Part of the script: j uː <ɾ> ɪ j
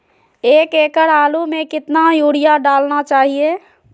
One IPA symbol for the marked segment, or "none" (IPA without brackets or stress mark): ɽ